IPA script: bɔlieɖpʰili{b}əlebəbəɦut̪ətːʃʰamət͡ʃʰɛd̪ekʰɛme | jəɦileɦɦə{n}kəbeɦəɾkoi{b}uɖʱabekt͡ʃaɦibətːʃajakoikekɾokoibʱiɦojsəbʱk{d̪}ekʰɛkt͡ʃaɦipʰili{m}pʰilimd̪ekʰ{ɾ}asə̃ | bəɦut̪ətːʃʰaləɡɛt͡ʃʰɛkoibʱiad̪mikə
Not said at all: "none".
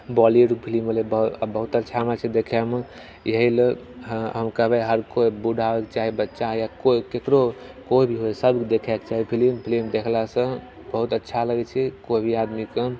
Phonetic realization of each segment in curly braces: m, m, b, d̪, m, l

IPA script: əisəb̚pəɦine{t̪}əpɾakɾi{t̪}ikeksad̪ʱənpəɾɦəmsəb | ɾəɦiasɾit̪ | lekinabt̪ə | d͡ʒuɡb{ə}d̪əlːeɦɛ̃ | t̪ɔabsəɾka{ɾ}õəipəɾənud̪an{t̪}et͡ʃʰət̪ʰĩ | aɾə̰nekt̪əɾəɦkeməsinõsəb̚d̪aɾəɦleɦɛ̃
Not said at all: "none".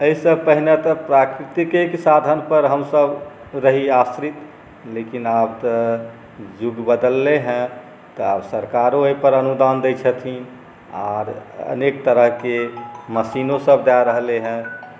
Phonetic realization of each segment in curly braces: t̪, t̪, ə, ɾ, d̪

